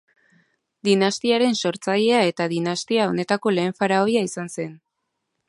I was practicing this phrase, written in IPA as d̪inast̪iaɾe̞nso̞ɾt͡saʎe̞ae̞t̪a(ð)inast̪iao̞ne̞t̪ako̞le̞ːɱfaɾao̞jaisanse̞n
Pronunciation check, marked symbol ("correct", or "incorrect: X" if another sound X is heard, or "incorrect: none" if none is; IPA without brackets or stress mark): correct